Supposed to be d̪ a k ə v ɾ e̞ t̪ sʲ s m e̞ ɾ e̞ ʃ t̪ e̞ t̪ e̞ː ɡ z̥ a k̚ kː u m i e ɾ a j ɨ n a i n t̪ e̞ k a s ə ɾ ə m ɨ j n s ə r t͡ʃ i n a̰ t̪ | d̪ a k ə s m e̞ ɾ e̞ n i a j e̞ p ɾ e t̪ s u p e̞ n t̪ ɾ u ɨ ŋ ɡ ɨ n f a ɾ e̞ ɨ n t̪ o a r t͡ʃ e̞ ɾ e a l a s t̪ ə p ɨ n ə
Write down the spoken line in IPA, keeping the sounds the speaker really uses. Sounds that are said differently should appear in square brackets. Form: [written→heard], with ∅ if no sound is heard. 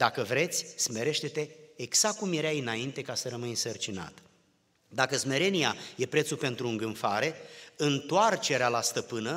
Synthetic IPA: d̪ a k ə v ɾ e̞ t̪ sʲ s m e̞ ɾ e̞ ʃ t̪ e̞ t̪ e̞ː ɡ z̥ a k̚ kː u m [i→j] e ɾ a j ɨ n a i n t̪ e̞ k a s ə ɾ ə m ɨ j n s ə r t͡ʃ i n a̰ t̪ | d̪ a k ə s m e̞ ɾ e̞ n i a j e̞ p ɾ e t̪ s u p e̞ n t̪ ɾ u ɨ ŋ ɡ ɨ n f a ɾ e̞ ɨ n t̪ o a r t͡ʃ e̞ ɾ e a l a s t̪ ə p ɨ n ə